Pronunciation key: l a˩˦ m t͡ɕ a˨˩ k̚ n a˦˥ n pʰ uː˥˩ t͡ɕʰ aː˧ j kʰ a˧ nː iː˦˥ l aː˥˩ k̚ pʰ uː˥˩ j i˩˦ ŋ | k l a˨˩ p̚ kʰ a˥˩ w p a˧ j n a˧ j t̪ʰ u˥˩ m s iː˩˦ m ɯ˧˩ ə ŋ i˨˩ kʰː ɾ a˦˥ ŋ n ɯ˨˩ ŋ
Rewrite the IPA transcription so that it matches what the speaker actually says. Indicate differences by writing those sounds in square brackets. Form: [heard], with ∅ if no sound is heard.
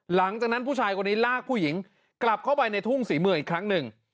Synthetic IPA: l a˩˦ [ŋ] t͡ɕ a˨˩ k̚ n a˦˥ n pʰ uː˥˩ t͡ɕʰ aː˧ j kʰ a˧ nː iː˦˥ l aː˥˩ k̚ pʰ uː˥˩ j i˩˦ ŋ | k l a˨˩ p̚ kʰ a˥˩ w p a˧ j n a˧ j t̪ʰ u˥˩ [ŋ] s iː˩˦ m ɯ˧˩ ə ŋ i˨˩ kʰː ɾ a˦˥ ŋ n ɯ˨˩ ŋ